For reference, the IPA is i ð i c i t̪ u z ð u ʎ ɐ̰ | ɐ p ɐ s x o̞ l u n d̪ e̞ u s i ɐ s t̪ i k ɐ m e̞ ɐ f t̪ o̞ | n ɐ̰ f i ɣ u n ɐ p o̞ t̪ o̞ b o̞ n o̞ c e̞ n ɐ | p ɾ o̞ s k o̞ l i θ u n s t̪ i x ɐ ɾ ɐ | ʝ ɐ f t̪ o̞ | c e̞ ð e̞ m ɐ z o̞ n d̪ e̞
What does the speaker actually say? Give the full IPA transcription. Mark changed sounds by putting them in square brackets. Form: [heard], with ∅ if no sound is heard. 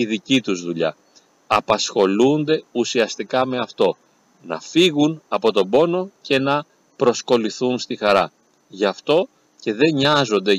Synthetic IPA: i ð i c i t̪ u z ð u ʎ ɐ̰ | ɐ p ɐ s x o̞ l u n d̪ e̞ u s i ɐ s t̪ i k ɐ m e̞ ɐ f t̪ o̞ | n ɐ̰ f i ɣ u n ɐ p o̞ t̪ o̞ b o̞ n o̞ c e̞ n ɐ | p ɾ o̞ s k o̞ l i θ u n s t̪ i x ɐ ɾ ɐ | ʝ ɐ f t̪ o̞ | c e̞ ð e̞ [ɲ] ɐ z o̞ n d̪ e̞